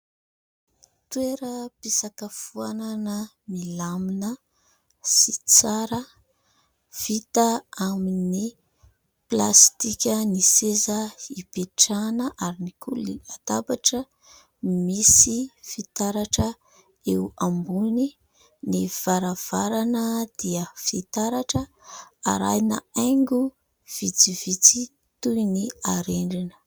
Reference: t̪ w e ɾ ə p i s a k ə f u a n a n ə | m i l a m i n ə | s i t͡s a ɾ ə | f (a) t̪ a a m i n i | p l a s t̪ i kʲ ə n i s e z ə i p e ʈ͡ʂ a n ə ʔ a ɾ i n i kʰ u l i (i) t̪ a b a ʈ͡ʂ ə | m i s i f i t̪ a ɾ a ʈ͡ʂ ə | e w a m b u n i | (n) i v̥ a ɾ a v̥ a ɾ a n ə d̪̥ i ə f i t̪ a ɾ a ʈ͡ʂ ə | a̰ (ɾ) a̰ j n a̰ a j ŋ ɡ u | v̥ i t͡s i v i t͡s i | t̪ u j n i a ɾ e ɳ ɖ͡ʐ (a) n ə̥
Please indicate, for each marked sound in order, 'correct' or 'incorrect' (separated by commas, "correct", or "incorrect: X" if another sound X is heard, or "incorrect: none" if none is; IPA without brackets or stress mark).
incorrect: i, incorrect: a, correct, correct, incorrect: i